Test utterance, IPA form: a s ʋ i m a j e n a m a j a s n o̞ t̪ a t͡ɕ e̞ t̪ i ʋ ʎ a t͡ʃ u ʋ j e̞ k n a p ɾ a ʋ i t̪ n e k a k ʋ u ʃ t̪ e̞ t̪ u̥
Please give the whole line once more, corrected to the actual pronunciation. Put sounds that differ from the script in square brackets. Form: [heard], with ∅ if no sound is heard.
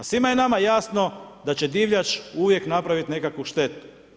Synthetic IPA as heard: a s ʋ i m a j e n a m a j a s n o̞ [d̪] a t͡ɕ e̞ [d̪] i ʋ ʎ a t͡ʃ u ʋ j e̞ k n a p ɾ a ʋ i t̪ n e k a k ʋ u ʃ t̪ e̞ t̪ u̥